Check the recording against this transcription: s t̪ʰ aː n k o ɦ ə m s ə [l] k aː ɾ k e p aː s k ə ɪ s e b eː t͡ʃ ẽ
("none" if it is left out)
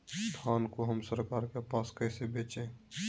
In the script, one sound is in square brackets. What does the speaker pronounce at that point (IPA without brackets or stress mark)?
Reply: ɾ